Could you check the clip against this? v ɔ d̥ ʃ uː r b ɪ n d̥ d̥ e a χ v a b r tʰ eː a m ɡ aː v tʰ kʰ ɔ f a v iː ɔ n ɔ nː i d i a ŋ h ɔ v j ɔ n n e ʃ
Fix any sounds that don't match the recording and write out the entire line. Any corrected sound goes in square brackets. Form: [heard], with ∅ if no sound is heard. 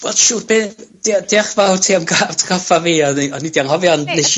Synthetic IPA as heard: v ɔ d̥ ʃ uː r b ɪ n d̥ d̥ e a χ v a [w] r tʰ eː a m ɡ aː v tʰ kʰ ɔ f a v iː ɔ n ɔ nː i d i a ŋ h ɔ v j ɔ n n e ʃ